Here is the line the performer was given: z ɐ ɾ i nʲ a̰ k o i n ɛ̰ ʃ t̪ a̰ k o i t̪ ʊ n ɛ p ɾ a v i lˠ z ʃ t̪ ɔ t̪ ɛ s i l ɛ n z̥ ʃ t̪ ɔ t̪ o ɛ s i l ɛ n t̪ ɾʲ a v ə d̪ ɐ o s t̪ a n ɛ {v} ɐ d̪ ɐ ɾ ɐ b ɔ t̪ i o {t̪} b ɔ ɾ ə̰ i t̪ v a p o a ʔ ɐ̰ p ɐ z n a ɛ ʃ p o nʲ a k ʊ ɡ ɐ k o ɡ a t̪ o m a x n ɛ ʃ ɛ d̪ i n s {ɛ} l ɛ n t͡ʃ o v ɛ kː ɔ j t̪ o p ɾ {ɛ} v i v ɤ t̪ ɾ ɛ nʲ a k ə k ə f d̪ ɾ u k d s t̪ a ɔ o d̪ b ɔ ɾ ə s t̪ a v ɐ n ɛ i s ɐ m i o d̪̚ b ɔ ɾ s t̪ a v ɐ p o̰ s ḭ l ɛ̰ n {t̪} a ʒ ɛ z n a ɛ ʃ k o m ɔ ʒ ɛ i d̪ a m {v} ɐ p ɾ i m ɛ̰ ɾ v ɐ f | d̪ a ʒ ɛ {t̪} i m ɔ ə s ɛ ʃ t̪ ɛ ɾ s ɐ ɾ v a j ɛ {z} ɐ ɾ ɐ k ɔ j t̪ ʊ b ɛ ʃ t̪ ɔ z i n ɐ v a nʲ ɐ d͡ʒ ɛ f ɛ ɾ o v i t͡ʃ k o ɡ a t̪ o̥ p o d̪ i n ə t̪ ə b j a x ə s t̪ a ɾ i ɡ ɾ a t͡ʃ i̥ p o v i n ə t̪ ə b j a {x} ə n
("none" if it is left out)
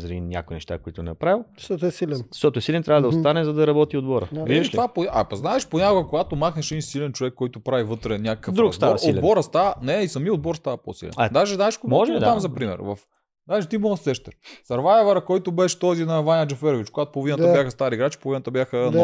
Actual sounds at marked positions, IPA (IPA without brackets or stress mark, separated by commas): z, d̪, i, a, d̪, z, t̪, v, x